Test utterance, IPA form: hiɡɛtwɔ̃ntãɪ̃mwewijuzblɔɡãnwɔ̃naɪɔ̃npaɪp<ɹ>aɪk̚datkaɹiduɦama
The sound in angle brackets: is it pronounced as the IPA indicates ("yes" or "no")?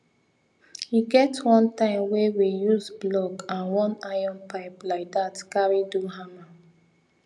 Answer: no